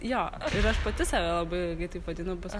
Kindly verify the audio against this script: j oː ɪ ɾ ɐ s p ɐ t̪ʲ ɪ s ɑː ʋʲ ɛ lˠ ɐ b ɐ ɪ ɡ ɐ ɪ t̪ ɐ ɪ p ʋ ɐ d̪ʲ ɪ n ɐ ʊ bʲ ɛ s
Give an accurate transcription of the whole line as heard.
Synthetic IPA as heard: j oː ɪ ɾ ɐ ʃ p ɐ t̪ʲ ɪ s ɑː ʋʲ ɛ lˠ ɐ b ɐ ɪ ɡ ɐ ɪ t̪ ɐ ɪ p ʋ ɐ d̪ʲ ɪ n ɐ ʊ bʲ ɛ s